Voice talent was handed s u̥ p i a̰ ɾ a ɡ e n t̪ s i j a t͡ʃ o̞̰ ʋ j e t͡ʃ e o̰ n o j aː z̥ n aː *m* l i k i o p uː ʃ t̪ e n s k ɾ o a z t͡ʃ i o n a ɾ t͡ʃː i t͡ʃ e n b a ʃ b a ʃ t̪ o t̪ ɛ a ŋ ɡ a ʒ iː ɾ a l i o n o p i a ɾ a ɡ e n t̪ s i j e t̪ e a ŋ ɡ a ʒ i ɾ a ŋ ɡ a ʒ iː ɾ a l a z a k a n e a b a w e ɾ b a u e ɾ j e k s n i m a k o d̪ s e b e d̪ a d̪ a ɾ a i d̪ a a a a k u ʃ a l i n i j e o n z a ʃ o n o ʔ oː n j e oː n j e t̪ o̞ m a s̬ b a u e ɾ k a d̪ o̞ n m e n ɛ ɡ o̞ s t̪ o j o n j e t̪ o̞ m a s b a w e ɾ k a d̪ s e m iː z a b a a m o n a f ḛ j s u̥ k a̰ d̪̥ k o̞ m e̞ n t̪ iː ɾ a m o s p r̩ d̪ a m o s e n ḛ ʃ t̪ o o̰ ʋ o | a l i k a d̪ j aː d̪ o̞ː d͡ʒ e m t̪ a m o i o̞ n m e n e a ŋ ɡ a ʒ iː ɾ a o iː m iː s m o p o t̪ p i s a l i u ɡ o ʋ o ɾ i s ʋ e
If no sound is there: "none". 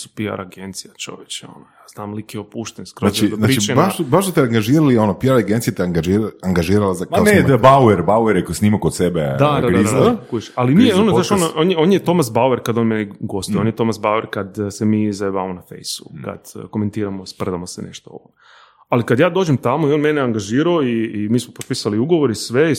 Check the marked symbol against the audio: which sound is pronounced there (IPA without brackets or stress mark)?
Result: m